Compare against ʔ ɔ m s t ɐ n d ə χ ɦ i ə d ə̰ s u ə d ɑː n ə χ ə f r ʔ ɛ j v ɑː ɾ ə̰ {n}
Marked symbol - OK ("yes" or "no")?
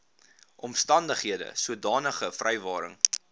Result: no